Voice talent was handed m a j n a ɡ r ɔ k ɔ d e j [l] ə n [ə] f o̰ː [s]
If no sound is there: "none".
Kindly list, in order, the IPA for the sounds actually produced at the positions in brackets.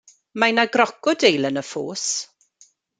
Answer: l, ə, s

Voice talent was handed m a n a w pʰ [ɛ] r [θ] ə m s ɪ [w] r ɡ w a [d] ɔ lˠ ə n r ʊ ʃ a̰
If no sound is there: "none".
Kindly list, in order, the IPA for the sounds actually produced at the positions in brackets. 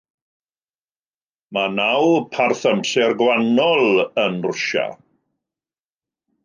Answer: a, θ, none, n

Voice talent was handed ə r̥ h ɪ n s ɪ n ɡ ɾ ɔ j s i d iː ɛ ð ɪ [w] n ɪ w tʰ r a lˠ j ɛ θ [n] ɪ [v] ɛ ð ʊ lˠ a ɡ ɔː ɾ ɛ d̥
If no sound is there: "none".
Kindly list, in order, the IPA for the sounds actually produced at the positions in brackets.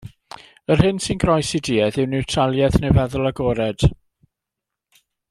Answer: w, n, v

